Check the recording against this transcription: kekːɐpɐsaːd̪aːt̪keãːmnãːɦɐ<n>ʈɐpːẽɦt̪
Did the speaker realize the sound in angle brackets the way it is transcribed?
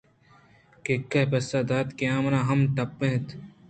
no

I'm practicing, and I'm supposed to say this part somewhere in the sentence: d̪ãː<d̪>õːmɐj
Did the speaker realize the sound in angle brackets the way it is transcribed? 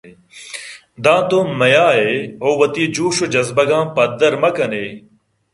no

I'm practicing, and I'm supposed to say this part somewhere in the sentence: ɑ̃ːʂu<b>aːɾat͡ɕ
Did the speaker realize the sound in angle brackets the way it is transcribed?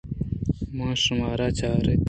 no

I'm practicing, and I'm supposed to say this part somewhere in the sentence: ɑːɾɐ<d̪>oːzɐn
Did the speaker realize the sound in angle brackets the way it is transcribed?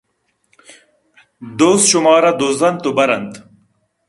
yes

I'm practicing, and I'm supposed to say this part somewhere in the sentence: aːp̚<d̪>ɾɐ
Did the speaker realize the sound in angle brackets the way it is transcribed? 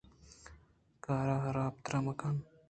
no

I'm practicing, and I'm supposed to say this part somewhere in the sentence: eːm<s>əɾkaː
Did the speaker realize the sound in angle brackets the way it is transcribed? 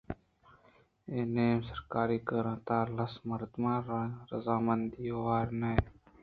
yes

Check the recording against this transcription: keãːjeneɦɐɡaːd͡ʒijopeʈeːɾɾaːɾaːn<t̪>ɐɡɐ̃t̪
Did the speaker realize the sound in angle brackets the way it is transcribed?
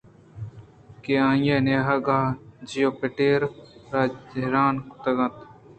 yes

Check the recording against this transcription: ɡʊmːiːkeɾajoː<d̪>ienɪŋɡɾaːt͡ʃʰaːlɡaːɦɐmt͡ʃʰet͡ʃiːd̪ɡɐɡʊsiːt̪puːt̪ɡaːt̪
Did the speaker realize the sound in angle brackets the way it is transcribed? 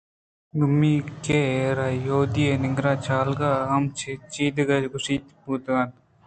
yes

